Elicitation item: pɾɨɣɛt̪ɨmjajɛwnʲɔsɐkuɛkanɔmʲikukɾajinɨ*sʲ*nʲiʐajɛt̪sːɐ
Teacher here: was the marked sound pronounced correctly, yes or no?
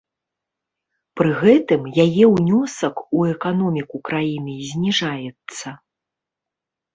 no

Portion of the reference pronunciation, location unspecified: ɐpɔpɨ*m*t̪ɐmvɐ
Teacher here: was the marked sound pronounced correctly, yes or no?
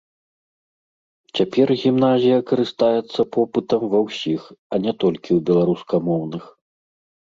no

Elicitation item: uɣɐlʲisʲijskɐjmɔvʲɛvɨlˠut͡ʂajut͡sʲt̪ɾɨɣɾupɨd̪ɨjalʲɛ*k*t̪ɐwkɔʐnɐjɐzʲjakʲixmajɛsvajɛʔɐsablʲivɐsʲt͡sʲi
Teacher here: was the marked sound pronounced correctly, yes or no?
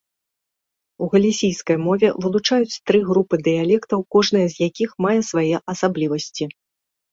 yes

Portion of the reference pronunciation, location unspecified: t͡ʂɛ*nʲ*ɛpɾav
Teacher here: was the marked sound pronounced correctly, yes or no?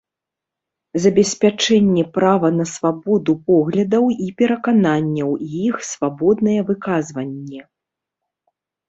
no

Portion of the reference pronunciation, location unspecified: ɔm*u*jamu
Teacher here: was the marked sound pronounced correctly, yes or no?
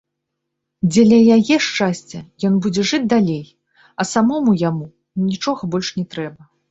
yes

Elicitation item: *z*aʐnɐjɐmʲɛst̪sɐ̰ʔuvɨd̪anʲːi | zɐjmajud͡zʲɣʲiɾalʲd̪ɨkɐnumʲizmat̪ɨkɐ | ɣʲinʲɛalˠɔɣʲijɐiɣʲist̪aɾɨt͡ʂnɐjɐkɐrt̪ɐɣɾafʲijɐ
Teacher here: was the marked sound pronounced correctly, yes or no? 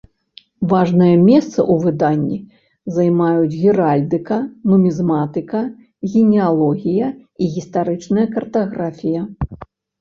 no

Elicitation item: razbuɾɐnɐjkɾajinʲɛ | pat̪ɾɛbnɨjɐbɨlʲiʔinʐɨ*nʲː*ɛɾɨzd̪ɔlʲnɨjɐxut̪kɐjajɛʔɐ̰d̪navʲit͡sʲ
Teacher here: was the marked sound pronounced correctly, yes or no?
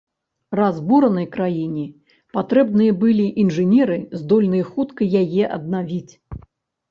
no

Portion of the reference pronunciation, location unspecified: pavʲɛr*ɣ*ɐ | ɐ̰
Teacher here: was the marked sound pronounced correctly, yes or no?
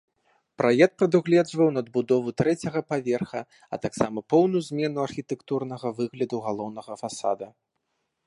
no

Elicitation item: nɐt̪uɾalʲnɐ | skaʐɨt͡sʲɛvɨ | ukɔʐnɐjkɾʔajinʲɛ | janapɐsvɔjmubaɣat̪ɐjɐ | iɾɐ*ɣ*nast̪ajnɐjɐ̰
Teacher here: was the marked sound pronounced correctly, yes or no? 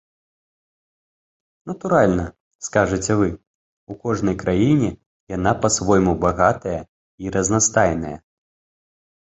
no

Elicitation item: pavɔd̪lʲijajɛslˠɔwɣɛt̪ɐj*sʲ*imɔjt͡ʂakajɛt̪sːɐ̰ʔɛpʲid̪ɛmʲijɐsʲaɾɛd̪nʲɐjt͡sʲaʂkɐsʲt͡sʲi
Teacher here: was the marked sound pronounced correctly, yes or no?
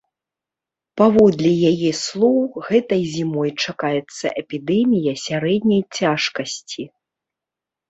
no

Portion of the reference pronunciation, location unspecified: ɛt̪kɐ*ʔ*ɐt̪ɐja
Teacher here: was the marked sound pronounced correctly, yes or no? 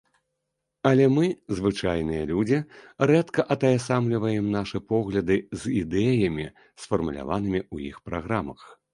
yes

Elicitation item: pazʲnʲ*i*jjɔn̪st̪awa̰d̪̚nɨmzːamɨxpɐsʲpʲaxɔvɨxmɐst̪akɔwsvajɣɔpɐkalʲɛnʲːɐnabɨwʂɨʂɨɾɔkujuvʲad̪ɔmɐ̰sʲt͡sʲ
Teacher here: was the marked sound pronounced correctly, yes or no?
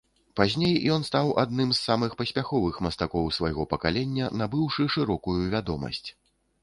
no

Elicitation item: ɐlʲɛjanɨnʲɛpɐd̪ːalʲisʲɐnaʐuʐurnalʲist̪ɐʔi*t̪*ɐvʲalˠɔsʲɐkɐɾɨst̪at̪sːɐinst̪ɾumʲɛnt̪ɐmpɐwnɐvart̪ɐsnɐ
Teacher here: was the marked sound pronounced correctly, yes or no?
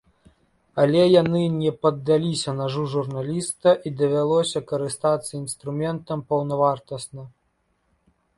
no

